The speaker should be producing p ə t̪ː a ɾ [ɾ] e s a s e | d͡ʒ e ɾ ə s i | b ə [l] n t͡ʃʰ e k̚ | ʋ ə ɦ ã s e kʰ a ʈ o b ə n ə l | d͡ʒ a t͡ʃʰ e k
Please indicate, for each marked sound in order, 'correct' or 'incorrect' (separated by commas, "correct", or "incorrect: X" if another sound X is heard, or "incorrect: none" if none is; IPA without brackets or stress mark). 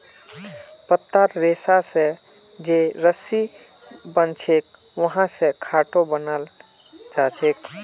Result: correct, incorrect: none